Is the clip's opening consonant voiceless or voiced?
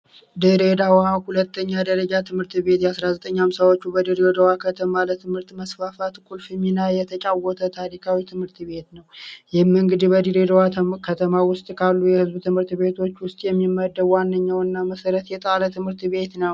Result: voiced